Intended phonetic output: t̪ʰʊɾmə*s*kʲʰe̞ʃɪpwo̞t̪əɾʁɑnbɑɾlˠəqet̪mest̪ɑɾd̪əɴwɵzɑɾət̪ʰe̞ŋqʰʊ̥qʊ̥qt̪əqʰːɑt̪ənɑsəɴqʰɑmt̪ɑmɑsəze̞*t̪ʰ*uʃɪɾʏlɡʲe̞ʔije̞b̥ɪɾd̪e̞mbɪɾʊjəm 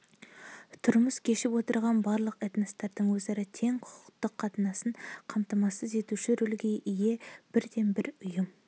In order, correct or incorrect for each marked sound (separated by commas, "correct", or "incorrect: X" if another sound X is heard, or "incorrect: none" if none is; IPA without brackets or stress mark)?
correct, incorrect: t̪